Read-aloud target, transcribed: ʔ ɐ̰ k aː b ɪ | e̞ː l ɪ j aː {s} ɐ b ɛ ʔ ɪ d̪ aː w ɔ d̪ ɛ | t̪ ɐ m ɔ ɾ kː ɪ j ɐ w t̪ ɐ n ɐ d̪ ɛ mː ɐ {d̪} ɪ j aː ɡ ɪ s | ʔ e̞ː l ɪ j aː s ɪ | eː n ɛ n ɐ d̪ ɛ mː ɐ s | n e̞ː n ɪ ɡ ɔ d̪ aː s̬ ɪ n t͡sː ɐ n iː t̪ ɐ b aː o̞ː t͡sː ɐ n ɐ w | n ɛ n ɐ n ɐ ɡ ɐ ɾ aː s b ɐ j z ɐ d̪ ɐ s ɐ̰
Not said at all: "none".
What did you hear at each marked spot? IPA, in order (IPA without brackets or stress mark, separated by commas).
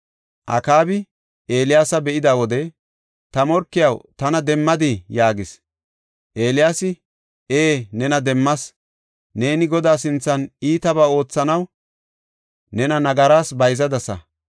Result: s, d̪